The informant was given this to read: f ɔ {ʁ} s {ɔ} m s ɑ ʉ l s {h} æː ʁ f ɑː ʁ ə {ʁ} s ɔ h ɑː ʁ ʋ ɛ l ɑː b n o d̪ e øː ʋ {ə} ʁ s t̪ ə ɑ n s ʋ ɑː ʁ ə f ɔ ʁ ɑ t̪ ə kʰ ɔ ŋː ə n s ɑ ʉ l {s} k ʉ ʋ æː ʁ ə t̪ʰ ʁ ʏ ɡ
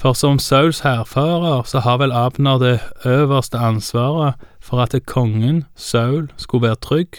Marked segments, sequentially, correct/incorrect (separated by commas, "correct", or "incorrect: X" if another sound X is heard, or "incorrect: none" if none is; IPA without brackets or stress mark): correct, correct, correct, correct, correct, correct